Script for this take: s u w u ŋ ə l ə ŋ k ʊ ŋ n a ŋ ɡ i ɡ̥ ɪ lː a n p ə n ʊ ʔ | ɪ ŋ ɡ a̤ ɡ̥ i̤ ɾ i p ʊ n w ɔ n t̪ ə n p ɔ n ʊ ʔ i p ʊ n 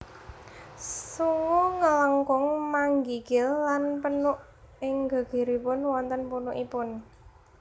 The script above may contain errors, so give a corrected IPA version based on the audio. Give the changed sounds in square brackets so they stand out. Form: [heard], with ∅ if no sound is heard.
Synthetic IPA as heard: s u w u ŋ ə l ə ŋ k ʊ ŋ [m] a ŋ ɡ i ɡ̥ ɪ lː a n p ə n ʊ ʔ | ɪ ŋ ɡ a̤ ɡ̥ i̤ ɾ i p ʊ n w ɔ n t̪ ə n p [u] n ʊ ʔ i p ʊ n